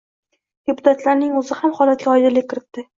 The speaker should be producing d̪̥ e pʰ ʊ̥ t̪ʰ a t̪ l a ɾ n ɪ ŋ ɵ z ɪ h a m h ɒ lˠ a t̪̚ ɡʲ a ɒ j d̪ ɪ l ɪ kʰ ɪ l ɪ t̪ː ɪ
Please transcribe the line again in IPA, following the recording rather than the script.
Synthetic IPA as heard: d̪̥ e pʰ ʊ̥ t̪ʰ a t̪ l a ɾ n ɪ ŋ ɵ z ɪ h a m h ɒ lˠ a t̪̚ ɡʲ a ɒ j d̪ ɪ l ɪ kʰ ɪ ɾ ɪ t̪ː ɪ